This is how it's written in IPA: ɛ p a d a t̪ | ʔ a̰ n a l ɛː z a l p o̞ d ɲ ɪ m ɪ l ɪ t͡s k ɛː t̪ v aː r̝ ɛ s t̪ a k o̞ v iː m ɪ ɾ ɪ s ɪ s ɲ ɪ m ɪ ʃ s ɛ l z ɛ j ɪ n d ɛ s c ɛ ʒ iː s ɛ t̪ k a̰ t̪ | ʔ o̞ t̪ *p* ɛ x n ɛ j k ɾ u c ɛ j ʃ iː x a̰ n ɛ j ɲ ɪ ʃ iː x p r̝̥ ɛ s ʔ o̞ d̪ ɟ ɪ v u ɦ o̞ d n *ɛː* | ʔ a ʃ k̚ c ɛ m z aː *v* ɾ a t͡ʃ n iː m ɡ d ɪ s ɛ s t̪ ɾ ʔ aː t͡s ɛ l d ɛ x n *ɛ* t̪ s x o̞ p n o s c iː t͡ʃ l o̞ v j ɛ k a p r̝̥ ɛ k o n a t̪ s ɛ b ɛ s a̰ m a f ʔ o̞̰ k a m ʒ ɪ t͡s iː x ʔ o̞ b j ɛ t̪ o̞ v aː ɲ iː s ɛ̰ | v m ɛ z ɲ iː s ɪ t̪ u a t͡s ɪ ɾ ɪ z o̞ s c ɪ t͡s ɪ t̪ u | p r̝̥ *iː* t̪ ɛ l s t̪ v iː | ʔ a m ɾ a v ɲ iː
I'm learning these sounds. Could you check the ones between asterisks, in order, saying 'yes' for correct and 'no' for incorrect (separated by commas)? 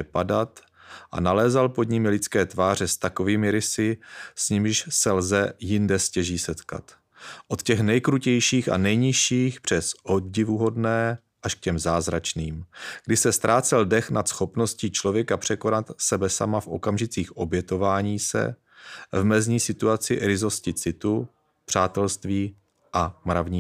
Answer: no, yes, no, no, no